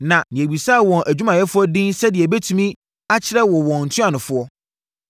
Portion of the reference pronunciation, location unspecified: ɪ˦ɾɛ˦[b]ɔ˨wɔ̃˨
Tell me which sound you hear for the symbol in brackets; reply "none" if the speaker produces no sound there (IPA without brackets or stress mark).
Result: w